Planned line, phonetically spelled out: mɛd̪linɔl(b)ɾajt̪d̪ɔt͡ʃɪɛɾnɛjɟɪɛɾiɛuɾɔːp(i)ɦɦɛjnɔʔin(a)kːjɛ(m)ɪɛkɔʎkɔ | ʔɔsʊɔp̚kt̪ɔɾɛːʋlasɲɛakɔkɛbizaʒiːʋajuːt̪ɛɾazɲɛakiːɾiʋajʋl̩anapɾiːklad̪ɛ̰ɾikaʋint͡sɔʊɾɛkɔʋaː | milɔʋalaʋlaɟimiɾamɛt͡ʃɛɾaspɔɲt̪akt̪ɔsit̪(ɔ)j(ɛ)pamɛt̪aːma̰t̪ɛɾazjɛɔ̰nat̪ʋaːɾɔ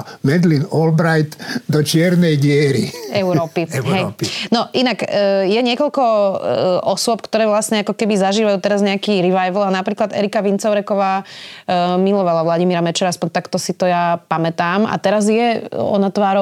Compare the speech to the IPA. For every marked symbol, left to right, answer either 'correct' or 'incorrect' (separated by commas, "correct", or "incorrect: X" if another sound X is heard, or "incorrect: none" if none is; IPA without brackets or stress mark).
correct, correct, correct, incorrect: ɲ, correct, incorrect: a